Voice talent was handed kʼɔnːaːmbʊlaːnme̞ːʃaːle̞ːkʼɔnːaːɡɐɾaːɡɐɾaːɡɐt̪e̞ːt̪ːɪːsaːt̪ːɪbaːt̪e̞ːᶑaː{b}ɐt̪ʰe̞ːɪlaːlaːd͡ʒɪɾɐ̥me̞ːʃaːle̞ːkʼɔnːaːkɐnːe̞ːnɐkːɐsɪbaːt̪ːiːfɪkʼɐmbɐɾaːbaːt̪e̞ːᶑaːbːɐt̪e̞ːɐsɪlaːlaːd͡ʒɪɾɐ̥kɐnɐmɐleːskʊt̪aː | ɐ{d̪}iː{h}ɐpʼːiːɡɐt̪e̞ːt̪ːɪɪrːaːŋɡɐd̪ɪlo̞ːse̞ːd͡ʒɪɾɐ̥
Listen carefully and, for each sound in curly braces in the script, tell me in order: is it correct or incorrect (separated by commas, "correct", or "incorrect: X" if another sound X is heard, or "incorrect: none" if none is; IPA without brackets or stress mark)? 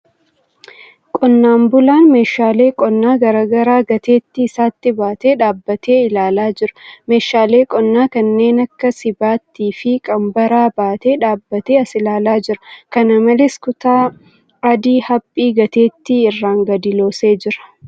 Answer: incorrect: bː, correct, correct